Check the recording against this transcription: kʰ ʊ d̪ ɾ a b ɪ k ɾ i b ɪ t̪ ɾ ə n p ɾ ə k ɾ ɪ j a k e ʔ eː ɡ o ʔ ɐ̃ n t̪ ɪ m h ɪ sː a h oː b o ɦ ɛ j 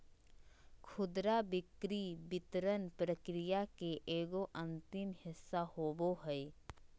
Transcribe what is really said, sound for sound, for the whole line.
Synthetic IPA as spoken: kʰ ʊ d̪ ɾ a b ɪ k ɾ i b ɪ t̪ ɾ ə n p ɾ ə k ɾ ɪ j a k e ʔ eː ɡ o ʔ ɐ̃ n t̪ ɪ m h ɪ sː a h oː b o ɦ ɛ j